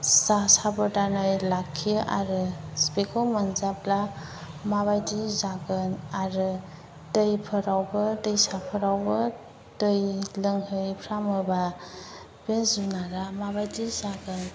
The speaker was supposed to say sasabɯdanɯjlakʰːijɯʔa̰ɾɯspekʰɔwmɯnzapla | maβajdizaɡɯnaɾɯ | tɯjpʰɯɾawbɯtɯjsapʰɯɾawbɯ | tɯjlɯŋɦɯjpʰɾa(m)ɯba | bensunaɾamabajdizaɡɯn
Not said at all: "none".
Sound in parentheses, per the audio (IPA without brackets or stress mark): m